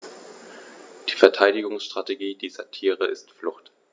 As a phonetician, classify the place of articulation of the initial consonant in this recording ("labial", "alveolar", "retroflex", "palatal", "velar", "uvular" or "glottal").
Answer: alveolar